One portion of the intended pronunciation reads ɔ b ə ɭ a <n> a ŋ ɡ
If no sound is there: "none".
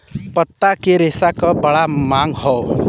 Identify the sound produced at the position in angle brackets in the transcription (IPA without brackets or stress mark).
m